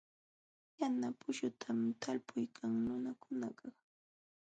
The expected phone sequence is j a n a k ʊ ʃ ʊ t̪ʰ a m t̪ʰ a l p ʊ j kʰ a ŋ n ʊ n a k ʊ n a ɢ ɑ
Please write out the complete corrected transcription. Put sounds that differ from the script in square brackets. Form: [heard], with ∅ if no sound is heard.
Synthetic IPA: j a n a [p] ʊ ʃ ʊ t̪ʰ a m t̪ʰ a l p ʊ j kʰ a ŋ n ʊ n a k ʊ n a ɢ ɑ